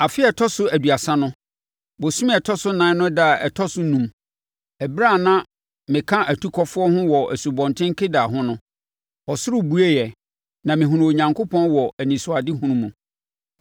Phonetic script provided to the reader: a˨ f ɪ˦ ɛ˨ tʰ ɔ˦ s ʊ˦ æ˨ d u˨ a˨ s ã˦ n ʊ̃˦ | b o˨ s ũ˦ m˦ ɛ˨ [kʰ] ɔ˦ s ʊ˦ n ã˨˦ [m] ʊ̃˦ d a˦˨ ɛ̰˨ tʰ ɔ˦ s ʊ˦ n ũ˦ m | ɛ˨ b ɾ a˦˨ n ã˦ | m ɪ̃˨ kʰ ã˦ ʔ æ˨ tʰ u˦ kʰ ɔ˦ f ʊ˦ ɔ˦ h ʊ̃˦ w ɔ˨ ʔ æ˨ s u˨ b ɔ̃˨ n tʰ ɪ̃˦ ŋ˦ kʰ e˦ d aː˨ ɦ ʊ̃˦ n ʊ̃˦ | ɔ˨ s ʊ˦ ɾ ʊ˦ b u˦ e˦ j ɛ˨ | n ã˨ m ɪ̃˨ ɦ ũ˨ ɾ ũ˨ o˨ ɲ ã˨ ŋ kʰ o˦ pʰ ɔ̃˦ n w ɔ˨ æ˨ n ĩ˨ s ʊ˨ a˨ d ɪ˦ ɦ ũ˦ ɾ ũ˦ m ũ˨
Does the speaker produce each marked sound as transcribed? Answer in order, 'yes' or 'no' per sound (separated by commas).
no, no